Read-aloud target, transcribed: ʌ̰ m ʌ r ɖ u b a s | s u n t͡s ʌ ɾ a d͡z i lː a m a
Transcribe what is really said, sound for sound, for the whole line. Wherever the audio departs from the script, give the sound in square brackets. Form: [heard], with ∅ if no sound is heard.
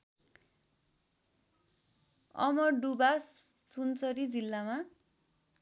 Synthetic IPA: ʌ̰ m ʌ r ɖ u b a s | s u n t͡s ʌ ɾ [i] d͡z i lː a m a